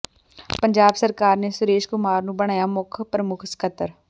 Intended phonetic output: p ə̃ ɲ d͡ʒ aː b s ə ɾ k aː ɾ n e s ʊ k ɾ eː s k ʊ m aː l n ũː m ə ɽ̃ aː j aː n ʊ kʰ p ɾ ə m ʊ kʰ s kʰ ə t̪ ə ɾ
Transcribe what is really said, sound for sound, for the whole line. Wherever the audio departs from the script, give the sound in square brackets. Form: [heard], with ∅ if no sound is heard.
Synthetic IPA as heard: p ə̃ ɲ d͡ʒ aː b s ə ɾ k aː ɾ n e s ʊ [∅] ɾ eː [ʃ] k ʊ m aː [ɾ] n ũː [b] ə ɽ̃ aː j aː [m] ʊ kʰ p ɾ ə m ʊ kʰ s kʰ ə t̪ ə ɾ